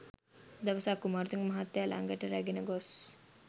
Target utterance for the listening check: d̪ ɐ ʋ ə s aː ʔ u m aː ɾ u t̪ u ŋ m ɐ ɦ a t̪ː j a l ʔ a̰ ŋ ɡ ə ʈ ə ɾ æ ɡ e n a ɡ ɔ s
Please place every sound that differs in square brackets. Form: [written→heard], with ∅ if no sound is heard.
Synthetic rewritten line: d̪ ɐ ʋ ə s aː [ʔ→k] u m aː ɾ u t̪ u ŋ m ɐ ɦ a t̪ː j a l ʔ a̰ ŋ ɡ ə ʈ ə ɾ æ ɡ e n [a→ə] ɡ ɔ s

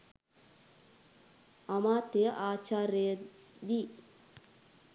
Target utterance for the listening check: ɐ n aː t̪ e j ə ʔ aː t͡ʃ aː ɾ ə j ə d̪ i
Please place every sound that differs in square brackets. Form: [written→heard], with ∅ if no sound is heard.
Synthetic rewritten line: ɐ [n→m] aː t̪ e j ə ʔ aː t͡ʃ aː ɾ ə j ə d̪ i

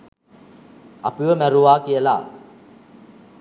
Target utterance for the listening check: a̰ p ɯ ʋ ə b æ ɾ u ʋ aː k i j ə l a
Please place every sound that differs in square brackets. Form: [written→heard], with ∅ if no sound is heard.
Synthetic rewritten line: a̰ p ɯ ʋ ə [b→m] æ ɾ u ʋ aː k i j ə l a

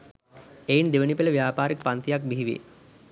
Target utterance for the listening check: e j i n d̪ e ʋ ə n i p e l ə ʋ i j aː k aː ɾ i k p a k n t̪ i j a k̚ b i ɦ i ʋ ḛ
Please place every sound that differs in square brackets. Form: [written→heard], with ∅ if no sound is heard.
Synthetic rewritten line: e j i n d̪ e ʋ ə n i p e l ə ʋ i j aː [k→p] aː ɾ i k p a [k→∅] n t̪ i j a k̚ b i ɦ i ʋ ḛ

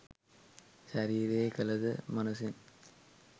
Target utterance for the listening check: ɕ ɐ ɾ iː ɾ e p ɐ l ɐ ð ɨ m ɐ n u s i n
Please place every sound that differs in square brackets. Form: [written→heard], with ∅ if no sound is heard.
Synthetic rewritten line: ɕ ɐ ɾ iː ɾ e [p→k] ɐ l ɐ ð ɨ m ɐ n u s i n

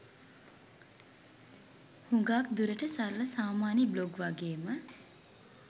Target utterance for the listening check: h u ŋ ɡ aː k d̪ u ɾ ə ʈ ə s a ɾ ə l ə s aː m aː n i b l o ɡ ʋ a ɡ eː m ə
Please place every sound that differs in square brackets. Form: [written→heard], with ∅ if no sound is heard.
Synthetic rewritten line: h u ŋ ɡ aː k d̪ u ɾ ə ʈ ə s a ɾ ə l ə s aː m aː n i b l o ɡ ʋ a ɡ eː m ə

